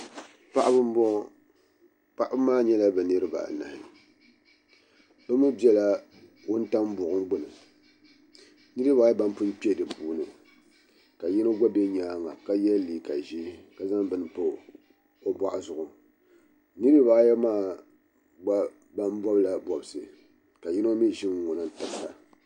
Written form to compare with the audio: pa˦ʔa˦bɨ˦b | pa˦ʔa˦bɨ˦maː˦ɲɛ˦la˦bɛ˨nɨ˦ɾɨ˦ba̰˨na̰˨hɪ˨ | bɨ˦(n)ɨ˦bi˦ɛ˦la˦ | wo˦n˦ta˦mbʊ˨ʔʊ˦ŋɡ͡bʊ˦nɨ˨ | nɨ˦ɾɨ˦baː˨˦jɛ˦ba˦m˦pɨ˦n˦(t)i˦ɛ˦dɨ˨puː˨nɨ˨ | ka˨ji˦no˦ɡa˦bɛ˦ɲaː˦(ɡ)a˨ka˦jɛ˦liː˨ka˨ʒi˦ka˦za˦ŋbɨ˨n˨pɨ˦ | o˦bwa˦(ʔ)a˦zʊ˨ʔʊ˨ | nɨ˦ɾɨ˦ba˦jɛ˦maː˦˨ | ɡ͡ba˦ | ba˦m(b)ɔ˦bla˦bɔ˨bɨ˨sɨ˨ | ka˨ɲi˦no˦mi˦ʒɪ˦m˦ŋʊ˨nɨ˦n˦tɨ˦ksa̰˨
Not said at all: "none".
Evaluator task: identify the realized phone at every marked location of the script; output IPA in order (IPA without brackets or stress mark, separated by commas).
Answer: m, p, ŋ, ʔ, b